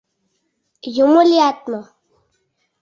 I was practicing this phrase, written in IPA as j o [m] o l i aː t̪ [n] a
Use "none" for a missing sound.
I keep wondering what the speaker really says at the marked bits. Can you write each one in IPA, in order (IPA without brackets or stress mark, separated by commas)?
m, m